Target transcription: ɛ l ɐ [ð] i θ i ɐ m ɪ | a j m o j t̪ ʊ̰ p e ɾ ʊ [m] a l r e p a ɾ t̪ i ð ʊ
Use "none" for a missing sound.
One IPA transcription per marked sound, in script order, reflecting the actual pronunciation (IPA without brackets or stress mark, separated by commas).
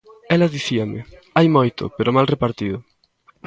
ð, m